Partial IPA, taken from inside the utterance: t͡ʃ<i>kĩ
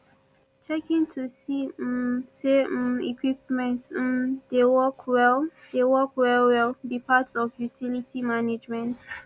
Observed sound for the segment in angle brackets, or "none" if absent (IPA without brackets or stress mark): ɛ